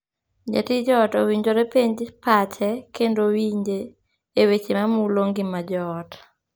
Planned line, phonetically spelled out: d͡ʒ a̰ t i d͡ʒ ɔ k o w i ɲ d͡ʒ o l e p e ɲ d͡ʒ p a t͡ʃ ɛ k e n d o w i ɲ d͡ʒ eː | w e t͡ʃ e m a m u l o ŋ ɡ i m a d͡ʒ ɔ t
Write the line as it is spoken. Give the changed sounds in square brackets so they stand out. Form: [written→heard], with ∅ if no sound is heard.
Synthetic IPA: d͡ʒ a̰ t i d͡ʒ ɔ [k→t] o w i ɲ d͡ʒ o [l→ɾ] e p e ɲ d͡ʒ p a t͡ʃ ɛ k e n d o w i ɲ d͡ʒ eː | w e t͡ʃ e m a m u l o ŋ ɡ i m a d͡ʒ ɔ t